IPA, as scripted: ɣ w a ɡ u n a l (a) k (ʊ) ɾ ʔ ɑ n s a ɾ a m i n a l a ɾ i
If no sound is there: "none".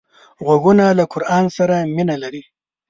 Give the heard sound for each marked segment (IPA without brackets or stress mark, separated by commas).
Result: a, ʊ